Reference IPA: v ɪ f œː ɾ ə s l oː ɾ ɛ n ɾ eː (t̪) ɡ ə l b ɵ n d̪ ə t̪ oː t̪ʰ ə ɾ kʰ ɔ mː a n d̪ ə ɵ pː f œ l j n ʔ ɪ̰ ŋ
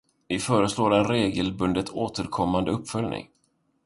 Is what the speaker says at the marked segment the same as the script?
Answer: no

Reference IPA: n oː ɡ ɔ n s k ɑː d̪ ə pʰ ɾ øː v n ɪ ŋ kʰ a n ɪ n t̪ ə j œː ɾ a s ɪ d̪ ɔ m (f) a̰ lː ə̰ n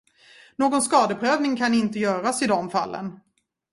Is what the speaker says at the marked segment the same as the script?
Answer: yes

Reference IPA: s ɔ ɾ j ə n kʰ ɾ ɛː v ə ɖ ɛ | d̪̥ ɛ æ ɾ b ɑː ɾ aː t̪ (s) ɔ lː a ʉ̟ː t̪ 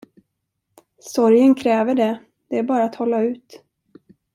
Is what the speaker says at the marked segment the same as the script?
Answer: no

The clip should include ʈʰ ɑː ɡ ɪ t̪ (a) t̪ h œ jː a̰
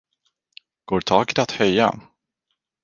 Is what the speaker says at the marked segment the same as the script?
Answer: yes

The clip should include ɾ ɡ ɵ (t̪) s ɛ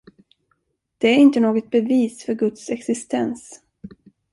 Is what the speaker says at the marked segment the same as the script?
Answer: yes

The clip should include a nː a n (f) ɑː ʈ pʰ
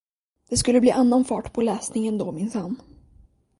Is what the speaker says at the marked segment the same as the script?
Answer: yes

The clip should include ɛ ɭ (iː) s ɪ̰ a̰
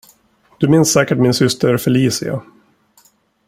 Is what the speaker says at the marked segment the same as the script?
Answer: yes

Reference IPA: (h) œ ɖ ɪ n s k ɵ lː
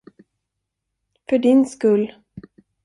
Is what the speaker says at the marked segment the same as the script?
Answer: no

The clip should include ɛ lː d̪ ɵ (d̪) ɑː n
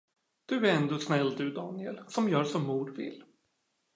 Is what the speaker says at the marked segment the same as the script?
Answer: yes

